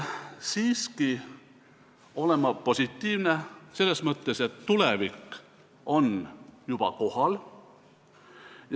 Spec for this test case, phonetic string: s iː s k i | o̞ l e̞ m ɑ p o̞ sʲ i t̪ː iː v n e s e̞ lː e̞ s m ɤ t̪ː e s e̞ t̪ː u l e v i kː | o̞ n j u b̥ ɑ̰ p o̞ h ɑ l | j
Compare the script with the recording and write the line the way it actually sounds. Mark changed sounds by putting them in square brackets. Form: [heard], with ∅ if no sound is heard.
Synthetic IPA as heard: s iː s k i | o̞ l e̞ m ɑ p o̞ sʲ i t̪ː iː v n e s e̞ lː e̞ s m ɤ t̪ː e s e̞ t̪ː u l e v i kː | o̞ n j u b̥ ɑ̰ [k] o̞ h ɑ l | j